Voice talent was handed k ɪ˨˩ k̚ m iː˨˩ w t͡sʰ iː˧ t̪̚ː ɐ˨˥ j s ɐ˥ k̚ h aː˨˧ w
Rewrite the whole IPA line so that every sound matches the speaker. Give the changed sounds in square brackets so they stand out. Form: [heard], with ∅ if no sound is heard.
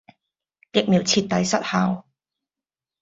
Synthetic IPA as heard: k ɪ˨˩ k̚ m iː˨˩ w t͡sʰ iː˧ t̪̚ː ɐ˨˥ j s ɐ˥ [t̚] h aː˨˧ w